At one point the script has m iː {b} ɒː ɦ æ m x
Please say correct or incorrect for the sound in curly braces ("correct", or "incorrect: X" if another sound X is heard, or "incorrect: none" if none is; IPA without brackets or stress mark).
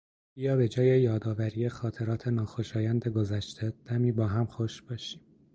correct